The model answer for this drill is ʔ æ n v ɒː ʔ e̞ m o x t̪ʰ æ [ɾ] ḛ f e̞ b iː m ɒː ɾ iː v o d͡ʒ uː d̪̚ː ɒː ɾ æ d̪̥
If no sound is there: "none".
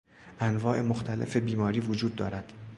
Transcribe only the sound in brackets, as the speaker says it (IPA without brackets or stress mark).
l